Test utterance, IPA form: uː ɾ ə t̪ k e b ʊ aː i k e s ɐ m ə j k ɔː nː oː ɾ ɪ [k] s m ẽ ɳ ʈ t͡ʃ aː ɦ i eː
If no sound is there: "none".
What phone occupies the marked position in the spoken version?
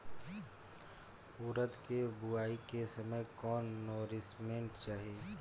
none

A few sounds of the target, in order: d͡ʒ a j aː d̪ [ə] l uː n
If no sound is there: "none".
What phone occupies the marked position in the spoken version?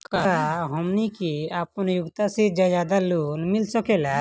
a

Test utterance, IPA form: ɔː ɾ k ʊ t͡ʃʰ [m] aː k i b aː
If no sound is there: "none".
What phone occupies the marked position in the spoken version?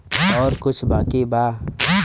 b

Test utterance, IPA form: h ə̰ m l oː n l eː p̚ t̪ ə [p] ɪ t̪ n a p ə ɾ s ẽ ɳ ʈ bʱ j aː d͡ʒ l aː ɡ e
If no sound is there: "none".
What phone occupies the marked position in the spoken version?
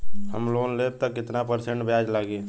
k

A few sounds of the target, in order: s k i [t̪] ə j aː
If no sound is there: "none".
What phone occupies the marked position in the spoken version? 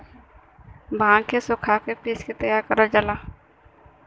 t̪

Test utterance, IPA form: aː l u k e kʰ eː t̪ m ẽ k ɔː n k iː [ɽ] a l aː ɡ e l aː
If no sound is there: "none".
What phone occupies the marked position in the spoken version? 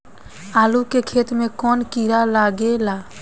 ɾ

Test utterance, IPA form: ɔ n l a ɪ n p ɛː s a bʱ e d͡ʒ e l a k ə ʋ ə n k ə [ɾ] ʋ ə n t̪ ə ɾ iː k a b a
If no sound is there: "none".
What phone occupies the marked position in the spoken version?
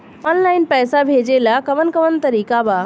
none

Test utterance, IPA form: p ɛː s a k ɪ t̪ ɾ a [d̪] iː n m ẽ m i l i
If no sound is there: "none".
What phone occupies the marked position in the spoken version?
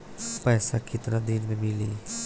d̪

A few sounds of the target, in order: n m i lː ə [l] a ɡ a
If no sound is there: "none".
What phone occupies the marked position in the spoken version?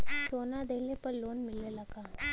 l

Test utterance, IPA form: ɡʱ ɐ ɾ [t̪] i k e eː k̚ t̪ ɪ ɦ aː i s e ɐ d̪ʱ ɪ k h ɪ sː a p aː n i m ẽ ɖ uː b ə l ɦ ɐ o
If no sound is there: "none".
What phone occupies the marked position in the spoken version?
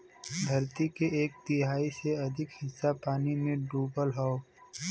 t̪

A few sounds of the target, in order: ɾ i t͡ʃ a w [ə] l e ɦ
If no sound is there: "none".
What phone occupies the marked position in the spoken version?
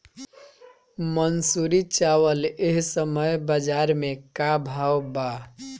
ə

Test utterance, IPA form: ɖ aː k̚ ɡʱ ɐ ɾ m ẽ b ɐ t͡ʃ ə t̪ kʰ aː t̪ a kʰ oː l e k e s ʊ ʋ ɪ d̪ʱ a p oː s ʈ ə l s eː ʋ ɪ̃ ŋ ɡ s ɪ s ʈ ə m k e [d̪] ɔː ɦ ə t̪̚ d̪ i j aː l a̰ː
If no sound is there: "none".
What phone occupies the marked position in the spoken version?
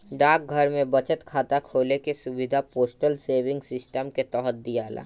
t̪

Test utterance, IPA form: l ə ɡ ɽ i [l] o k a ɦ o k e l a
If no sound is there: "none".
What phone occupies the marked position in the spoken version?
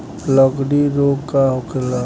ɾ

